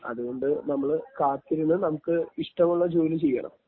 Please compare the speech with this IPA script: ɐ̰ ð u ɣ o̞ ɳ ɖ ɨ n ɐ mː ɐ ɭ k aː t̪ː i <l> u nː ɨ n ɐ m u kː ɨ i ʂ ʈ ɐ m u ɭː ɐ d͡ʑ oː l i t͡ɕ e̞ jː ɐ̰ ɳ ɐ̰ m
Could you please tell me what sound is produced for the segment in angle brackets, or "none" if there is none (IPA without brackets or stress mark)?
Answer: ɾ